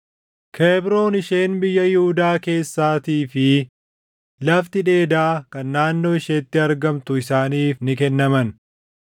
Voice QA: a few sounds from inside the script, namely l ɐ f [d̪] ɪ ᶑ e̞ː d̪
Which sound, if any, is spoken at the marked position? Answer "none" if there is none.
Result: t̪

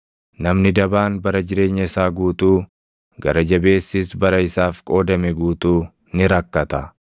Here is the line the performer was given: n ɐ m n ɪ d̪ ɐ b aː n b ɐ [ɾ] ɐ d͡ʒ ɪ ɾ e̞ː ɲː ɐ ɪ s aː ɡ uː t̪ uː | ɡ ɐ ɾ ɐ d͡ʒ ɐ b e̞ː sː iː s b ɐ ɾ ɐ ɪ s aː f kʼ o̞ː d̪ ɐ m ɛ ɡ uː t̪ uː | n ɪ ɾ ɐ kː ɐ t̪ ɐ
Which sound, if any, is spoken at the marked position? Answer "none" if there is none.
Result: ɾ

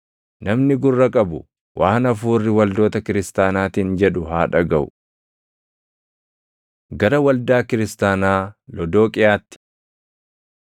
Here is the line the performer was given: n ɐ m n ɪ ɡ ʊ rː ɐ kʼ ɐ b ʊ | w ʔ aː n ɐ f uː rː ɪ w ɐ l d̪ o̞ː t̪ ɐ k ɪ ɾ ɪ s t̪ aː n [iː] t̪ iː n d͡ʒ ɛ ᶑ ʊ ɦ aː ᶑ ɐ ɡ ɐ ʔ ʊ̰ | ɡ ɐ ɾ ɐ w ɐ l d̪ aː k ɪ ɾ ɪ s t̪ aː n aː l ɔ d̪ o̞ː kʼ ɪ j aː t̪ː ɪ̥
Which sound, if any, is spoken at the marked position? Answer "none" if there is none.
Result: aː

